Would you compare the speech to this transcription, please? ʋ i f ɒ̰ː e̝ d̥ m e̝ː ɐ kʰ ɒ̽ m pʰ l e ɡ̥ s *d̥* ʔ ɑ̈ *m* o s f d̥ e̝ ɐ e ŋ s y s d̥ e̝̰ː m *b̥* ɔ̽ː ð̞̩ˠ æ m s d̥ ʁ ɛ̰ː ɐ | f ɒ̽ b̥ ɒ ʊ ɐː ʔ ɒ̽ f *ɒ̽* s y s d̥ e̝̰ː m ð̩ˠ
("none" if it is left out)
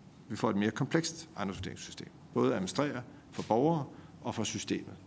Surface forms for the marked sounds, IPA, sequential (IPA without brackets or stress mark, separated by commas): d̥, n, b̥, ɒ̽